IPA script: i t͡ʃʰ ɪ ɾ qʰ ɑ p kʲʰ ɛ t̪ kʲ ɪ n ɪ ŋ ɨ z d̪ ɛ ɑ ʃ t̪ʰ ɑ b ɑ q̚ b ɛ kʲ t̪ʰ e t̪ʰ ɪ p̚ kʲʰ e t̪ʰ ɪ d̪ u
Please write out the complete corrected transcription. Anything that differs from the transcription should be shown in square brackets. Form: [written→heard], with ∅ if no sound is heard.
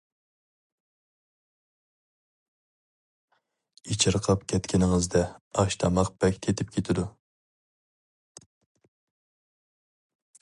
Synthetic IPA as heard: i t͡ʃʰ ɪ ɾ qʰ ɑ p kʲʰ ɛ t̪ kʲ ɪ n ɪ ŋ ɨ z d̪ ɛ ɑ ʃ t̪ʰ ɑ [b→m] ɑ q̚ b ɛ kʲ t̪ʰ e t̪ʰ ɪ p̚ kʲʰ e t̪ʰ ɪ d̪ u